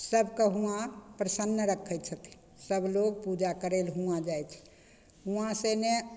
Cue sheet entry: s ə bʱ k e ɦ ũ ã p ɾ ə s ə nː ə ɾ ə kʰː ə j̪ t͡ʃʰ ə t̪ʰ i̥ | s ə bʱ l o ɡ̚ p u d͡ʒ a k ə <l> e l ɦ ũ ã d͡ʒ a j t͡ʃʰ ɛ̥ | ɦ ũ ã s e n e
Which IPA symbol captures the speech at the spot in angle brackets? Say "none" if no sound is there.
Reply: ɾ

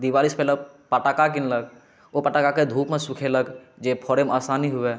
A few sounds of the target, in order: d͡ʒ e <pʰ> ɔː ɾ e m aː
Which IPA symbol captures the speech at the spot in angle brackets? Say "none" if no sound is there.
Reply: pʰ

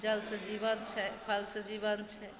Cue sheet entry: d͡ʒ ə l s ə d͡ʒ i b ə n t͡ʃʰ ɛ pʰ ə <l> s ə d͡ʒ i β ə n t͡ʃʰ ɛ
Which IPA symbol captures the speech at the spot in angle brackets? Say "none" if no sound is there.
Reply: l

